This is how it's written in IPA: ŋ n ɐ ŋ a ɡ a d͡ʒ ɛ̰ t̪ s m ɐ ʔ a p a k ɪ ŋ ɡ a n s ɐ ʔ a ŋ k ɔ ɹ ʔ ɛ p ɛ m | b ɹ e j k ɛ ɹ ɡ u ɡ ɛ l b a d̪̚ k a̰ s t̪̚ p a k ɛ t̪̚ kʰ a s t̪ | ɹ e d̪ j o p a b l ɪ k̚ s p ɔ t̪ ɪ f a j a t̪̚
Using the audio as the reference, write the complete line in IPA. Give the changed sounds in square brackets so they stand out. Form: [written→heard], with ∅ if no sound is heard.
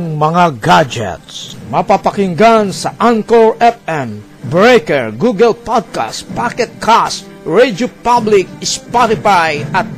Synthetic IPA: ŋ [n→m] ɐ ŋ a ɡ a d͡ʒ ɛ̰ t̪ s m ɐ [ʔ→p] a p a k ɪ ŋ ɡ a n s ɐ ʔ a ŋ k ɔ ɹ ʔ ɛ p ɛ m | b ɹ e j k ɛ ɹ ɡ u ɡ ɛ l [b→p] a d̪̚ k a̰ s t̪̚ p a k ɛ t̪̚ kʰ a s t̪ | ɹ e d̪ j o p a b l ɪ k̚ s p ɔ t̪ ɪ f a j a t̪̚